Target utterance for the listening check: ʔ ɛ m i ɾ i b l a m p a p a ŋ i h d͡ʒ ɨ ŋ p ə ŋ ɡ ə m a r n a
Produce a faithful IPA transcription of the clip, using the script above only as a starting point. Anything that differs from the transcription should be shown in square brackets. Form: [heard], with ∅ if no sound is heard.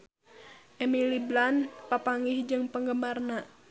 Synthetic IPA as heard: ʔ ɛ m i [l] i b l a [n] p a p a ŋ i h d͡ʒ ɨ ŋ p ə ŋ ɡ ə m a r n a